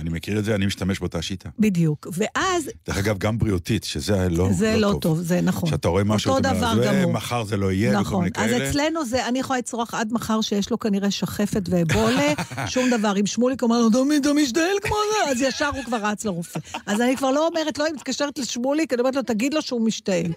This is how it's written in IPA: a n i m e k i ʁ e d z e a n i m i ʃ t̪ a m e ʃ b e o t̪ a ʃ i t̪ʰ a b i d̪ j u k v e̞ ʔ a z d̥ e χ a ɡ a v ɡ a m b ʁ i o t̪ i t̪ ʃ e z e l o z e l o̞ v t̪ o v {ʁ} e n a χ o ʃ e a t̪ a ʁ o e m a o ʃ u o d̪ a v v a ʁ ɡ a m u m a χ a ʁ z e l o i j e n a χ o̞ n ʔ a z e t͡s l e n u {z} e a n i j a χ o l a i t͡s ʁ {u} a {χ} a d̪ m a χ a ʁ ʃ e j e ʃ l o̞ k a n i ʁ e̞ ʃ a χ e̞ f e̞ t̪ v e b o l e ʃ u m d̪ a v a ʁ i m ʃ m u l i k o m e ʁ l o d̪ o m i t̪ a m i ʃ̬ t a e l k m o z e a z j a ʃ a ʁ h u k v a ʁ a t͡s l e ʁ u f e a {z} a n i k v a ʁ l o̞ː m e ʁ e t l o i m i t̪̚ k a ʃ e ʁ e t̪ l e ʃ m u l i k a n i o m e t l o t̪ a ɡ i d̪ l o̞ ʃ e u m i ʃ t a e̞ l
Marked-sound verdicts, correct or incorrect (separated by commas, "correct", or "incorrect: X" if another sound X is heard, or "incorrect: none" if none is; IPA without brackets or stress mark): incorrect: z, correct, incorrect: o, correct, correct